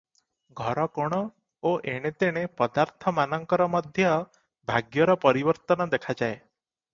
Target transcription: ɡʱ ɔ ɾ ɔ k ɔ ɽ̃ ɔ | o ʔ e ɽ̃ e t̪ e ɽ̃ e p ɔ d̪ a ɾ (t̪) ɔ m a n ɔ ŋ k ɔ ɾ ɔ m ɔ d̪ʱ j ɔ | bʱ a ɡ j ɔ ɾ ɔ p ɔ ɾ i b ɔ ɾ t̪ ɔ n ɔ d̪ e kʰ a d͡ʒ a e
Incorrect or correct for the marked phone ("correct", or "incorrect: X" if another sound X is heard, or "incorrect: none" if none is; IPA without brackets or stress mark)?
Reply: incorrect: t̪ʰ